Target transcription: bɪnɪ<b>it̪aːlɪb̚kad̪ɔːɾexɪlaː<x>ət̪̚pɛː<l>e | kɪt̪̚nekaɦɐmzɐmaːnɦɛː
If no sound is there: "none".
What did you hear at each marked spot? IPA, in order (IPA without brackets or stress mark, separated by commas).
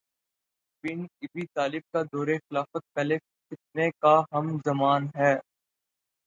b, f, l